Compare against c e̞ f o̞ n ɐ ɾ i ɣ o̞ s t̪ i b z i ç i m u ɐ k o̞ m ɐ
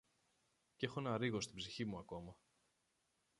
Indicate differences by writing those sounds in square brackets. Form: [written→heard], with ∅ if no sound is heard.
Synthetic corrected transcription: c e̞ [f→x] o̞ n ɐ ɾ i ɣ o̞ s t̪ i b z i ç i m u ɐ k o̞ m ɐ